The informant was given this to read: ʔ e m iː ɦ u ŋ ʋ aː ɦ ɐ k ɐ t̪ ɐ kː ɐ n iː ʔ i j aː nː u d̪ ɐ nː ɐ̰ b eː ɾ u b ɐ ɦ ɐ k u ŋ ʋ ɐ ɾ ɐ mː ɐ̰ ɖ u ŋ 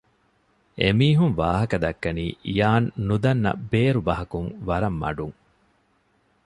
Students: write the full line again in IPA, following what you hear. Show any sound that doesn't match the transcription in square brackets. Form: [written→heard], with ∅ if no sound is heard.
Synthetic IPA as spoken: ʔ e m iː ɦ u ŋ ʋ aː ɦ ɐ k ɐ [t̪→d̪] ɐ kː ɐ n iː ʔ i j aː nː u d̪ ɐ nː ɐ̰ b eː ɾ u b ɐ ɦ ɐ k u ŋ ʋ ɐ ɾ ɐ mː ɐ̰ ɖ u ŋ